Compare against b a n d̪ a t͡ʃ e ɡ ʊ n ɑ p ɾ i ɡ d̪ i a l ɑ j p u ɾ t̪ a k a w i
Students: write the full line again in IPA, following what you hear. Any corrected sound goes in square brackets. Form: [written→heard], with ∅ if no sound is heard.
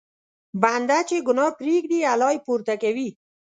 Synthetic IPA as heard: b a n d̪ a t͡ʃ e ɡ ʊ n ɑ p ɾ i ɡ d̪ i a l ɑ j p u ɾ t̪ a k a w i

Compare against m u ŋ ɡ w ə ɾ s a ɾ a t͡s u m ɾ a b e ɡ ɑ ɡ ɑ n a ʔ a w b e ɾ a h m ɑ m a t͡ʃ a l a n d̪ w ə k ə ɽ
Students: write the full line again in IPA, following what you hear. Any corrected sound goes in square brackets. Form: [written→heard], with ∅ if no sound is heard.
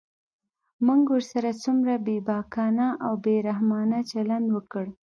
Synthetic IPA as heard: m u ŋ ɡ w ə ɾ s a ɾ a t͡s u m ɾ a b e [ɡ→b] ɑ [ɡ→k] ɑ n a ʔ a w b e ɾ a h m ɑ [m→n] a t͡ʃ a l a n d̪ w ə k ə ɽ

